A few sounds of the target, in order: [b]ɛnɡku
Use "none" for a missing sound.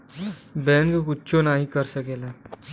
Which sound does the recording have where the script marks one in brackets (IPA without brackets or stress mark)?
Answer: b